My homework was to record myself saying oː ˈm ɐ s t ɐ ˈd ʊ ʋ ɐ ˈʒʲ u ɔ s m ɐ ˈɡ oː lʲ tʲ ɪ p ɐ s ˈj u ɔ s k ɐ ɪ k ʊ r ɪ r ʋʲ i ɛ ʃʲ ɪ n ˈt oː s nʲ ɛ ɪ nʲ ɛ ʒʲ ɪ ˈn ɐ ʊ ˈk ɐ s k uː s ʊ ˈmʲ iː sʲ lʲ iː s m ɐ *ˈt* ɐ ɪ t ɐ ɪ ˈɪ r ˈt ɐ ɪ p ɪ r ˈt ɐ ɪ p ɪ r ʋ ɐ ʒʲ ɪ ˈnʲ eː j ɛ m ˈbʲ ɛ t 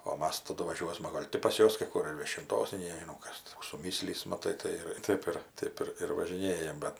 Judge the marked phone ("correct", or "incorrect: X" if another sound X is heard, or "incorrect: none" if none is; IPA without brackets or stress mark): correct